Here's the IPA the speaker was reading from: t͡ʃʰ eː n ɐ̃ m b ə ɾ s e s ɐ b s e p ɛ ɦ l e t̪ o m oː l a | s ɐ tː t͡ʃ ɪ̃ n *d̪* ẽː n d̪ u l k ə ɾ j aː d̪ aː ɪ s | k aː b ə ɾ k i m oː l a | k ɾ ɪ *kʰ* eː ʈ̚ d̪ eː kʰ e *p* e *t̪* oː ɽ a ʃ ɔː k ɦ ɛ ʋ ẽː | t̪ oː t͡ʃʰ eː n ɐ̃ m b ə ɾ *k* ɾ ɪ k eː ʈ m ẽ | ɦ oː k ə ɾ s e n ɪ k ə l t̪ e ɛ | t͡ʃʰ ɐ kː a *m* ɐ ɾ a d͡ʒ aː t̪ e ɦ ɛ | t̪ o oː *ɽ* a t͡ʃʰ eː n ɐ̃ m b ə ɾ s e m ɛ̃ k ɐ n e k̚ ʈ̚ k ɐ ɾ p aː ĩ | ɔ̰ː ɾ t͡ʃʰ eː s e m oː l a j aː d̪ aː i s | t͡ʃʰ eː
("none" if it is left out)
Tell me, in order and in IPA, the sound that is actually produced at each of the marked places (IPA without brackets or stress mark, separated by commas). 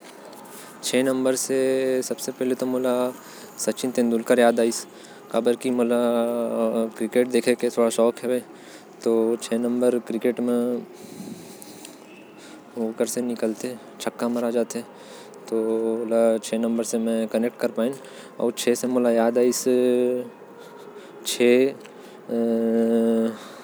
t̪, k, k, t̪ʰ, k, m, l